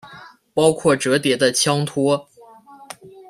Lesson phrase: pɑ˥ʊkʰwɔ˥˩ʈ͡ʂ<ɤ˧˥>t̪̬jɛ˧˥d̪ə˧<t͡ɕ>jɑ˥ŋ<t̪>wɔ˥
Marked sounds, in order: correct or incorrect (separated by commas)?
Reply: correct, incorrect, incorrect